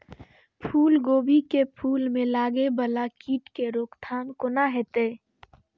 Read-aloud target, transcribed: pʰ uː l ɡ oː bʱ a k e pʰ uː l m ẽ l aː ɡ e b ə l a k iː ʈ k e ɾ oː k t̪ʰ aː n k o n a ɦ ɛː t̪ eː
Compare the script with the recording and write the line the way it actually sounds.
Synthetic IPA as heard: pʰ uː l ɡ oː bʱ i k e pʰ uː l m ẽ l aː ɡ e b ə l a k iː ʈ k e ɾ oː k t̪ʰ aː n k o n a ɦ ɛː t̪ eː